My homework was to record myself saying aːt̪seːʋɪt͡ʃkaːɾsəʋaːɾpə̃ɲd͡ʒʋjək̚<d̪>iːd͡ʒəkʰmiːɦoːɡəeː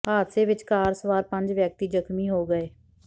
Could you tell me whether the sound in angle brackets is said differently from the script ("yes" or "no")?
yes